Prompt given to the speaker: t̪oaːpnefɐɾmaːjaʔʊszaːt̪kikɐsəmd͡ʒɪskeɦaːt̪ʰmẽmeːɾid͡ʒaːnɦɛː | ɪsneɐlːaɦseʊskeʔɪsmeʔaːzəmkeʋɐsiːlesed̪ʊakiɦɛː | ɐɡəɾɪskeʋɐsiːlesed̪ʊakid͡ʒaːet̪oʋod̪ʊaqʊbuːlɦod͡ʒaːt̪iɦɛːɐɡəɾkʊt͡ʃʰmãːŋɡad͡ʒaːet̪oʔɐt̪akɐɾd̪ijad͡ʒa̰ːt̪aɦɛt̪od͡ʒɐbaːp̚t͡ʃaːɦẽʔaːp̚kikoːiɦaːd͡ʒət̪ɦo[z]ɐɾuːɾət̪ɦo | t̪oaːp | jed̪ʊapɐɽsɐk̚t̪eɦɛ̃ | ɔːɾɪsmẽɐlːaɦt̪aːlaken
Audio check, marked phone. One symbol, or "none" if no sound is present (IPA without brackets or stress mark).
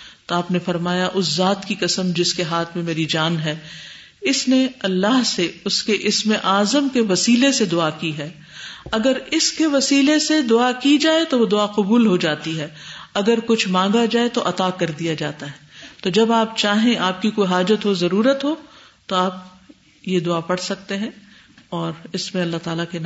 z